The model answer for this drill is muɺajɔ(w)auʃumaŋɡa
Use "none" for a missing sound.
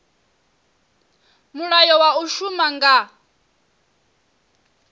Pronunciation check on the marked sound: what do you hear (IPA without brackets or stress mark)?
w